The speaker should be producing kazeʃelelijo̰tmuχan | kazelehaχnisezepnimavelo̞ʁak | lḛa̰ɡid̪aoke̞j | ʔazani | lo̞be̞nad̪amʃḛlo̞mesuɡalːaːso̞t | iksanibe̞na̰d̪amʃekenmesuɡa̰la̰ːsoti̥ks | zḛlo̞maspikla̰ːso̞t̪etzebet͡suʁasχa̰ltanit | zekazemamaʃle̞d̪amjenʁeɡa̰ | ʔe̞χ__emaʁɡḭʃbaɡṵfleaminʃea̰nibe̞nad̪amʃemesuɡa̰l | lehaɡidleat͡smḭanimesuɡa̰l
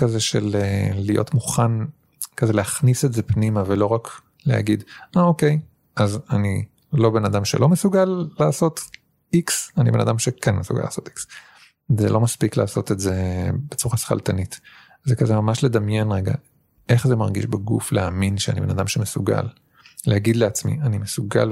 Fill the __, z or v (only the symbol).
z